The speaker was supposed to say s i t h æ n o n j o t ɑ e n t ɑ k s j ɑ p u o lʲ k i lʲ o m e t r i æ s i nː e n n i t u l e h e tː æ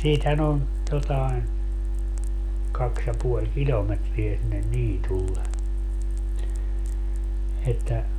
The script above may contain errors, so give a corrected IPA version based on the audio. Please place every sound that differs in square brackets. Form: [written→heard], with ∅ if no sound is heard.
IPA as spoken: s [i→iː] t h æ n o n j o t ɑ e n [t→k] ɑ k s j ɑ p u o lʲ k i lʲ o m e t r i æ s i nː e n n [i→iː] t u [l→lː] e [h→∅] e tː æ